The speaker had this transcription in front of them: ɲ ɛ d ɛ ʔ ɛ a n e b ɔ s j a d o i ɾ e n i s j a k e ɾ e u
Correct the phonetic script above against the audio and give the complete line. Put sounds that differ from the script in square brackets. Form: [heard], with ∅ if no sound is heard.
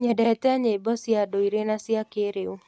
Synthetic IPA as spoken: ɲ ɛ d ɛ [t] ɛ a [ɲ] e b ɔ s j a d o i ɾ e n [a] s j a k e ɾ e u